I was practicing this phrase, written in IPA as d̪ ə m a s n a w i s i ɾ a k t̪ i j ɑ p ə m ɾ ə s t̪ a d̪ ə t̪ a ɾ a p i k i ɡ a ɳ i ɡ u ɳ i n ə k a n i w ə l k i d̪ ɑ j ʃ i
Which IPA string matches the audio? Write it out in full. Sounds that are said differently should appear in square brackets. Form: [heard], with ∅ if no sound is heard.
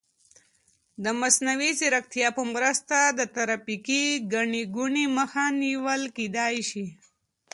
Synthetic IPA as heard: d̪ ə m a s n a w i s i ɾ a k t̪ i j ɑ p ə m ɾ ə s t̪ a d̪ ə t̪ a ɾ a p i k i ɡ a ɳ i ɡ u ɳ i [m] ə [x] a n i w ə l k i d̪ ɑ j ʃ i